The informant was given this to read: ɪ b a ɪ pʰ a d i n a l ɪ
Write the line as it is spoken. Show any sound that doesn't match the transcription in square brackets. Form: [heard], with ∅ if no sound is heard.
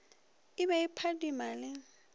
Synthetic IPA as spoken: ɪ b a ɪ pʰ a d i [m] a l ɪ